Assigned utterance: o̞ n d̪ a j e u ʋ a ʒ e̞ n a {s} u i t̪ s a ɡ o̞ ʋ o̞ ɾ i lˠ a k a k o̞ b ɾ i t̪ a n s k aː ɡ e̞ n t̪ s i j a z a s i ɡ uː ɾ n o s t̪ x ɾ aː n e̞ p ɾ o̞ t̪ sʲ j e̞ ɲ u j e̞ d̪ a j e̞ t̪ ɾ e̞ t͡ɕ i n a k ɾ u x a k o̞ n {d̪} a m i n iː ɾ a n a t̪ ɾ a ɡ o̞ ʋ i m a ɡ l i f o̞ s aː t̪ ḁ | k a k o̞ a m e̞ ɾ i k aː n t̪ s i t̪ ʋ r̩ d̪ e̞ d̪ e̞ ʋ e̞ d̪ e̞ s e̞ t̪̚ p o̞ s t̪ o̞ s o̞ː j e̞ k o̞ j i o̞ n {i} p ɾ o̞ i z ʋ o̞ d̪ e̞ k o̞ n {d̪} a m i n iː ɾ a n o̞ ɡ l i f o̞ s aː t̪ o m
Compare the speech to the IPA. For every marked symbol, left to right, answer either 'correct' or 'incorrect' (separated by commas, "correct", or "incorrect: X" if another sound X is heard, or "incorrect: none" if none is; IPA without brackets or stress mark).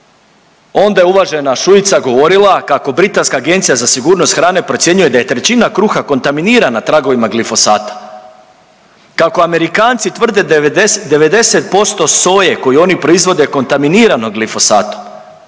incorrect: ʃ, incorrect: t̪, correct, incorrect: t̪